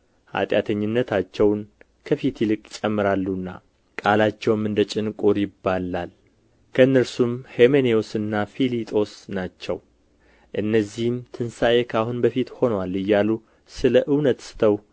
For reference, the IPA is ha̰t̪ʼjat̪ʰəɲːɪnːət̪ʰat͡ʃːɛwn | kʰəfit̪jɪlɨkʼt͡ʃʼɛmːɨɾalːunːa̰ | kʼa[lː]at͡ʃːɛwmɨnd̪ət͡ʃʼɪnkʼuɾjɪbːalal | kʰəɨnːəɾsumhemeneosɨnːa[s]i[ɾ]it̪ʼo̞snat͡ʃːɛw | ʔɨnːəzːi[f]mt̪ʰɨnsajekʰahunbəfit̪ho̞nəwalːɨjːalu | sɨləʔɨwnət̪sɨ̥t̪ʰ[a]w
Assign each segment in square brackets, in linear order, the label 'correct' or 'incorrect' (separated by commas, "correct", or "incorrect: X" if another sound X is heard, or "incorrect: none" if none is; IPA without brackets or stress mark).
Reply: incorrect: l, incorrect: f, incorrect: l, incorrect: h, incorrect: ə